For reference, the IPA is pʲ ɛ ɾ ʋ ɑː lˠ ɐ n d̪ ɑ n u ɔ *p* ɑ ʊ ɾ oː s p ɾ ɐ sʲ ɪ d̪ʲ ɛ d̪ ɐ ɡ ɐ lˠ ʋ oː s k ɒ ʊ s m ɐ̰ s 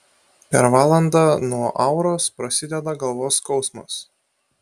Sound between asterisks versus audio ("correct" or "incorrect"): incorrect